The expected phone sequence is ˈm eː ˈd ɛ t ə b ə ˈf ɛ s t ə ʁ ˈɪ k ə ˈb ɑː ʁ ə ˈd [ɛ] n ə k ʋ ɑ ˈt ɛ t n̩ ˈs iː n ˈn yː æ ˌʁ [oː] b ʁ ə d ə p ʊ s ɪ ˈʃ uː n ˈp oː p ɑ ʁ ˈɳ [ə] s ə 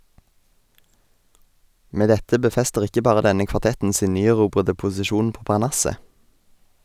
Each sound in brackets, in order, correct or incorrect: correct, incorrect: uː, incorrect: ɑ

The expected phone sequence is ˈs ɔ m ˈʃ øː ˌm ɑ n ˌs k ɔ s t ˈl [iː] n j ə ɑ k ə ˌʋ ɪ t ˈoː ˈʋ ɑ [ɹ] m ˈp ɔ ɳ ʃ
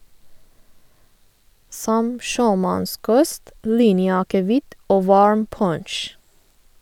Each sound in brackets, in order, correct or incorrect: correct, correct

